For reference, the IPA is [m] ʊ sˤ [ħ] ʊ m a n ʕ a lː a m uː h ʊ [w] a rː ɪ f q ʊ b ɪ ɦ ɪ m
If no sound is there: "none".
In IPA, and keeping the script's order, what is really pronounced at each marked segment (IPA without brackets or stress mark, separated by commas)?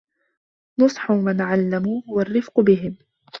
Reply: n, ħ, w